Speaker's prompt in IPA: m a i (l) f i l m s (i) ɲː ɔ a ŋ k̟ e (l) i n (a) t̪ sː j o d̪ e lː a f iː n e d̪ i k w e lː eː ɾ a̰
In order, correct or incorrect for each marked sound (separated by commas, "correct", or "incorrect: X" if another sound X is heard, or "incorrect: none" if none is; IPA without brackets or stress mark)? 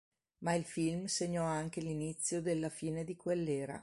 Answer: correct, incorrect: e, correct, incorrect: i